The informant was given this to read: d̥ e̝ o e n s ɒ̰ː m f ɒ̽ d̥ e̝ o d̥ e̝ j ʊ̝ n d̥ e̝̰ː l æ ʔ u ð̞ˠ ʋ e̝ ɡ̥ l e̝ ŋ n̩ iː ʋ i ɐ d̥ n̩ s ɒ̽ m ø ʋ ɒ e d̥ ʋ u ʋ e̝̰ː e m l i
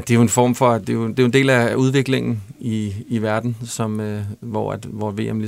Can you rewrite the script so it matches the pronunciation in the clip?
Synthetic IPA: d̥ e̝ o e n f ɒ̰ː m f ɒ̽ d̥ e̝ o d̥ e̝ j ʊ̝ n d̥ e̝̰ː l æ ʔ u ð̞ˠ ʋ e̝ ɡ̥ l e̝ ŋ n̩ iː ʋ æ ɐ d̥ n̩ s ɒ̽ m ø ʋ ɒ æ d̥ ʋ ɒ ʋ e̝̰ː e m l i